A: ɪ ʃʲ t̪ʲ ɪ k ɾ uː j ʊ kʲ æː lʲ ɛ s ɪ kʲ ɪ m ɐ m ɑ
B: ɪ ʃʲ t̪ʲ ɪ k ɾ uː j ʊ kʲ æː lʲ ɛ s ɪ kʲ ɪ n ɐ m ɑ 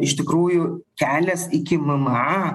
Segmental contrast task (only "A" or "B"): A